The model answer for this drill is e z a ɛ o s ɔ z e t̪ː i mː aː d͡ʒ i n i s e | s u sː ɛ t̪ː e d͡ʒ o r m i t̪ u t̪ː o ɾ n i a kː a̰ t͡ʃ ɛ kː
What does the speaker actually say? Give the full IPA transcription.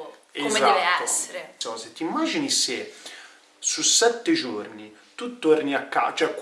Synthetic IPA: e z a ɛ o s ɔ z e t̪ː i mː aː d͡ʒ i n i s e | s u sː ɛ t̪ː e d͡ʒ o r n i t̪ u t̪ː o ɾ n i a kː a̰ t͡ʃ ɛ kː

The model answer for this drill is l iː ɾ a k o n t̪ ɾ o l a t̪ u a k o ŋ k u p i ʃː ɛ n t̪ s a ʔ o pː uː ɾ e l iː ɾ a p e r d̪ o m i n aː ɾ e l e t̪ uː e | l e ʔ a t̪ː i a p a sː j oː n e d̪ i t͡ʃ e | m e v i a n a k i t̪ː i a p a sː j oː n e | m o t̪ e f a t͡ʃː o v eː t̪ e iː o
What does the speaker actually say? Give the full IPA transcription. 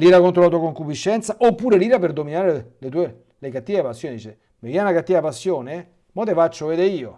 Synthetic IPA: l iː ɾ a k o n t̪ ɾ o l a t̪ u a k o ŋ k u p i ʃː ɛ n t̪ s a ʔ o pː uː ɾ e l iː ɾ a p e r d̪ o m i n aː ɾ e l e t̪ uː e | l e k a t̪ː i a p a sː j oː n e d̪ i t͡ʃ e | m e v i a n a k a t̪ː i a p a sː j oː n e | m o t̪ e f a t͡ʃː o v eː d̪ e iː o

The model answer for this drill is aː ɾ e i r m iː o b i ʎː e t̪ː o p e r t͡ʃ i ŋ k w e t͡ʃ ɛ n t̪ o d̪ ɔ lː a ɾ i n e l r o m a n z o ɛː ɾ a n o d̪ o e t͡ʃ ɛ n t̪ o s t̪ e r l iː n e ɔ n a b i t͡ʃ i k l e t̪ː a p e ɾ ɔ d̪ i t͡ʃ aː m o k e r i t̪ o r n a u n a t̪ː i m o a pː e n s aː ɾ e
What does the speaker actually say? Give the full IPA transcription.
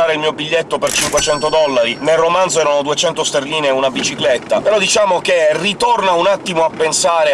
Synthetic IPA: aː ɾ e i l m iː o b i ʎː e t̪ː o p e r t͡ʃ i ŋ k w e t͡ʃ ɛ n t̪ o d̪ ɔ lː a ɾ i n e l r o m a n z o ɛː ɾ a n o d̪ u e t͡ʃ ɛ n t̪ o s t̪ e r l iː n e u n a b i t͡ʃ i k l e t̪ː a p e ɾ ɔ d̪ i t͡ʃ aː m o k e r i t̪ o r n a u n a t̪ː i m o a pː e n s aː ɾ e

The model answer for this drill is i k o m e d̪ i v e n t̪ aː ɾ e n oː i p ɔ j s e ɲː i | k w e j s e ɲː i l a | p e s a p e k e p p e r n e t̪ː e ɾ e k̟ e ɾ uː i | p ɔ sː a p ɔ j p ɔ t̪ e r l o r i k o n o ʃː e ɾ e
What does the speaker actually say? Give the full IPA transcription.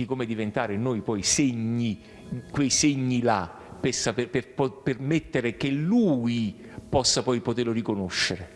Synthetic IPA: i k o m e d̪ i v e n t̪ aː ɾ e n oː j p ɔ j s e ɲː i | k w e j s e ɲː i l a | p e s a p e p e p p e r m e t̪ː e ɾ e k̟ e l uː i | p ɔ sː a p ɔ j p o t̪ e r l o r i k o n o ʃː e ɾ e

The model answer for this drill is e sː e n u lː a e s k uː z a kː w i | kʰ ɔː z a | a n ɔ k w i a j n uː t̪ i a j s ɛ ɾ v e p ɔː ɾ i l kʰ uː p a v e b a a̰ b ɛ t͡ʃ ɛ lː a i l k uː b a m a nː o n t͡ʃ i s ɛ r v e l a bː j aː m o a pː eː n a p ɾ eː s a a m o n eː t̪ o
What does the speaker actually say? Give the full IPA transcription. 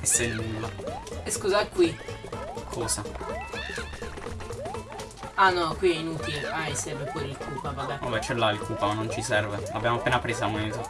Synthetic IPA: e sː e n u lː a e s k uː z a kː w i | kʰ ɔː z a | a n ɔ k w i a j n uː t̪ i a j s ɛ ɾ v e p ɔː ɾ i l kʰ uː p a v a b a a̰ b ɛ t͡ʃ ɛ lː a i l k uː p a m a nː o n t͡ʃ i s ɛ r v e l a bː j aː m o a pː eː n a p ɾ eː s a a m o n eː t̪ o

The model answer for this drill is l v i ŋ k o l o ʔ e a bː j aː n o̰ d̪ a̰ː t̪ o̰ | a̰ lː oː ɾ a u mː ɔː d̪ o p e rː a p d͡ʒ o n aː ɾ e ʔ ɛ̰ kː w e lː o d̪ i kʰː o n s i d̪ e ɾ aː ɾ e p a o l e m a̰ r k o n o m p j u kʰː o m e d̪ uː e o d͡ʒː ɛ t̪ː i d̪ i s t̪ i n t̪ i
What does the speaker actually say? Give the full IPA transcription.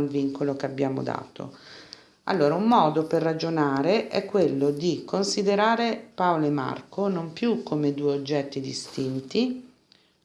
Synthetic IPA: l v i ŋ k o l o k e a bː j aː m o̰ d̪ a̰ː t̪ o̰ | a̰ lː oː ɾ a u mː ɔː d̪ o p e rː a d͡ʒ o n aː ɾ e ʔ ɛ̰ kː w e lː o d̪ i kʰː o n s i d̪ e ɾ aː ɾ e p a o l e m a̰ r k o n o m p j u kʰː o m e d̪ uː e o d͡ʒː ɛ t̪ː i d̪ i s t̪ i n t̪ i

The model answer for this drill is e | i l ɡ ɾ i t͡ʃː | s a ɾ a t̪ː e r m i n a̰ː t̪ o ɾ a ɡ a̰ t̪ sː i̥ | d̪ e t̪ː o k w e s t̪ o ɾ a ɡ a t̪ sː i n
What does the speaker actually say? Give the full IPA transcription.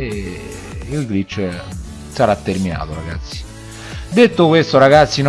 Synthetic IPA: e | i l ɡ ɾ i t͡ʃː | s a ɾ a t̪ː e r m i n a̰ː t̪ o ɾ a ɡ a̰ t̪ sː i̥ | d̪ e t̪ː o k w e s t̪ o ɾ a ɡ a t̪ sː i n

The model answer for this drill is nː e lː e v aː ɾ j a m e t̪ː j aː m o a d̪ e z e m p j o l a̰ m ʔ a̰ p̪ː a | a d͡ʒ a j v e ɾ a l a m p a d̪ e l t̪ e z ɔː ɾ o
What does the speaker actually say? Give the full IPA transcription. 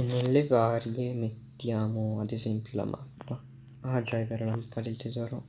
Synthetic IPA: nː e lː e v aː ɾ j e m e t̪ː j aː m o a d̪ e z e m p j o l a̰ m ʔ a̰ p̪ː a | a d͡ʒ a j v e ɾ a l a m p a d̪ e l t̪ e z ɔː ɾ o

